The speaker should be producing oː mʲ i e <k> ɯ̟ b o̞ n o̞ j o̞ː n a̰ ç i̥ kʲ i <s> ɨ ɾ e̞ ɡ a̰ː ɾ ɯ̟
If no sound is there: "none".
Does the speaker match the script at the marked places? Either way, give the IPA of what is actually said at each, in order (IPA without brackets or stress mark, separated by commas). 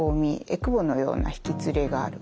k, t͡s